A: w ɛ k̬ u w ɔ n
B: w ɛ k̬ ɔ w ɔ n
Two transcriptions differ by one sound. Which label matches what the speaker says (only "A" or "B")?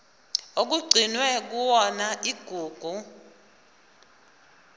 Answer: A